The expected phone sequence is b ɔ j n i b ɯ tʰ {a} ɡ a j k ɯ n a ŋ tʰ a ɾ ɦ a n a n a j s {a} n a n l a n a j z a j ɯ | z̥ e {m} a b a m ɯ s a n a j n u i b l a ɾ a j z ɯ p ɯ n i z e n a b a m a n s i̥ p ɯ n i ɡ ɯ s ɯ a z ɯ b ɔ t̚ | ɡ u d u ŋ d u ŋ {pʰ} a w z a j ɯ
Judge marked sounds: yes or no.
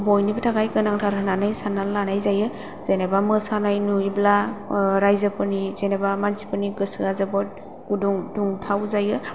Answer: yes, yes, no, no

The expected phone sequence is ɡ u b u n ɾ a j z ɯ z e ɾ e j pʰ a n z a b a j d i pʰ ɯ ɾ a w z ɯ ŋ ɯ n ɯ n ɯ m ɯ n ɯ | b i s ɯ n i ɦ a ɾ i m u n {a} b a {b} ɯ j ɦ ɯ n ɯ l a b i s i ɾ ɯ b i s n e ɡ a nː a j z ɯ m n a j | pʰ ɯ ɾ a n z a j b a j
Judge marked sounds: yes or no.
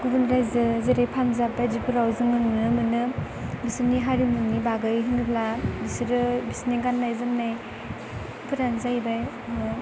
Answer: no, no

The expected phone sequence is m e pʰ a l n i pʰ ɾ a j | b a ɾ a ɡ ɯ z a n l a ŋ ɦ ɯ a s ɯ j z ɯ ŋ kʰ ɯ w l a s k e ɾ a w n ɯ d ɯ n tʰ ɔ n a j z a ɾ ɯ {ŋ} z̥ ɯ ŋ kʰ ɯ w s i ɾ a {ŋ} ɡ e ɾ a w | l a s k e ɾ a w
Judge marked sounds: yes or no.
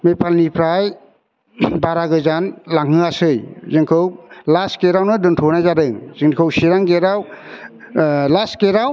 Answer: yes, yes

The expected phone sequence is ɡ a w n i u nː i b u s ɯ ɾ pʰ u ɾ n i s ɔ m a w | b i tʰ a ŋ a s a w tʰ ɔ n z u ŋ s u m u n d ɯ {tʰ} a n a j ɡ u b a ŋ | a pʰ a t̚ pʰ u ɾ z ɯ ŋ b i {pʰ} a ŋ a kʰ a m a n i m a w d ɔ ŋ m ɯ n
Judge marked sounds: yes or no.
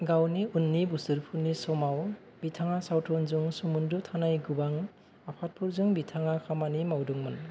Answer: yes, no

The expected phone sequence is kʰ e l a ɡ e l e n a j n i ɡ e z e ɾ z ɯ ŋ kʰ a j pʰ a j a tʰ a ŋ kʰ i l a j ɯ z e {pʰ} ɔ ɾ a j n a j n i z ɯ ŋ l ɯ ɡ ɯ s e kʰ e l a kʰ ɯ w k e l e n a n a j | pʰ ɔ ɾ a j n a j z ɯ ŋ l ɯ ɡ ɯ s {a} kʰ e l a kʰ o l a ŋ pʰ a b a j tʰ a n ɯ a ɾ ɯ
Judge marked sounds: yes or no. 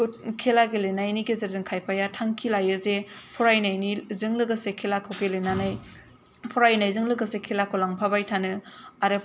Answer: yes, no

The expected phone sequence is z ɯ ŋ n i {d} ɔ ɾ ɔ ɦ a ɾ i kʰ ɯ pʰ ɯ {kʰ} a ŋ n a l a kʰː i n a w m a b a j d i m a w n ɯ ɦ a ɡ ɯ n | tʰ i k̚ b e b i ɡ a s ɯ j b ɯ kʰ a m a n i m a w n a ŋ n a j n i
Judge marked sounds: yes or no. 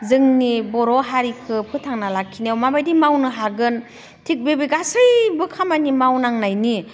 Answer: no, no

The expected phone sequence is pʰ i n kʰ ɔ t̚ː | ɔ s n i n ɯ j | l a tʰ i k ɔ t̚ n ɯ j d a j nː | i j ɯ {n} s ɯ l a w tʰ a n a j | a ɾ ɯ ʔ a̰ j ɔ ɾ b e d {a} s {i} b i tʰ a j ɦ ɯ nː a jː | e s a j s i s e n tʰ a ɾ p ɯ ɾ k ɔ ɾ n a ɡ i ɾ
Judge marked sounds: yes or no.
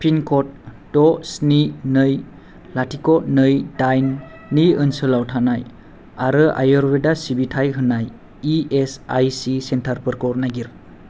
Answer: yes, yes, yes

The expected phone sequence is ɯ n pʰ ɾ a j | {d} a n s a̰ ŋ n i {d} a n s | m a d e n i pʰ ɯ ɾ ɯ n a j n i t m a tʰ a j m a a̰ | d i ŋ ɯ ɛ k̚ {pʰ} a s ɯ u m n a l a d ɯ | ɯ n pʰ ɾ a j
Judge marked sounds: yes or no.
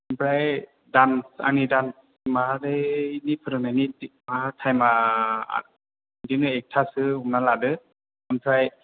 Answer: yes, yes, no

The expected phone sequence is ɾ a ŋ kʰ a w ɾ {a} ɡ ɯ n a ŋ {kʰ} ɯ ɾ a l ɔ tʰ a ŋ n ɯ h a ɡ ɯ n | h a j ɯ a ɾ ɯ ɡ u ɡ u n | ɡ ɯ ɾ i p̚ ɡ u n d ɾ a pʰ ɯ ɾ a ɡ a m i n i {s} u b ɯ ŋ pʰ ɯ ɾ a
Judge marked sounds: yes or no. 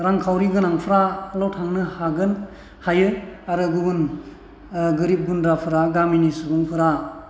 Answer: no, no, yes

